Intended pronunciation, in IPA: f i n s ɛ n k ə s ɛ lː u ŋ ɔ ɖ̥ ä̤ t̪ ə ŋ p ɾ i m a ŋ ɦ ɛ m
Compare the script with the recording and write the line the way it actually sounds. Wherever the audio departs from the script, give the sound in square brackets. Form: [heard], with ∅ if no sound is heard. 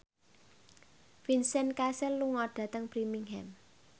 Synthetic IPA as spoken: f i n s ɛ n k [a] s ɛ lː u ŋ ɔ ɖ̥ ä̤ t̪ ə ŋ p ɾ i m [i] ŋ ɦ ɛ m